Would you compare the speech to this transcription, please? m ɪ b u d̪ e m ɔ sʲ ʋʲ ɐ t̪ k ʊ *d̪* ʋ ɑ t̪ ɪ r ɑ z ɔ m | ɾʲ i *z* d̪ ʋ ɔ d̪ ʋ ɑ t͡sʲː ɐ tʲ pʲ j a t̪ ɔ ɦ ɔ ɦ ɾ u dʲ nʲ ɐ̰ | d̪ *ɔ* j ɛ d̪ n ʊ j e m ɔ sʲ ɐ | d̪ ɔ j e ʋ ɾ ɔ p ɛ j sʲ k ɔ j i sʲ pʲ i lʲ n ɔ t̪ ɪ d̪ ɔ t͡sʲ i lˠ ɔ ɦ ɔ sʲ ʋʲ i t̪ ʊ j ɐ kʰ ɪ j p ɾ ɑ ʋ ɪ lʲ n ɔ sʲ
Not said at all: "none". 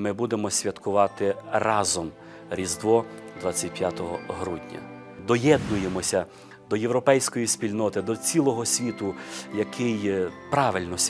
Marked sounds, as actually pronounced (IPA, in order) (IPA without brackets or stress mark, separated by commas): none, z, ɔ